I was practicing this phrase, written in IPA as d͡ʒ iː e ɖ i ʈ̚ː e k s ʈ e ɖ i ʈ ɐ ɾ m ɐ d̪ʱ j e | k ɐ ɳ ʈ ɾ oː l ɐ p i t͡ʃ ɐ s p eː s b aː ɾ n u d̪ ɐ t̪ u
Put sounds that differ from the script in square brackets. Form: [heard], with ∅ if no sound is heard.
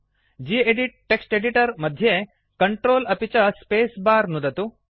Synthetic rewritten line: d͡ʒ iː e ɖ i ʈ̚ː e k s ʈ e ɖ i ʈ ɐ ɾ m ɐ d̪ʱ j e | k ɐ ɳ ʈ ɾ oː l ɐ p i t͡ʃ ɐ s p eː s b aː ɾ n u d̪ ɐ t̪ u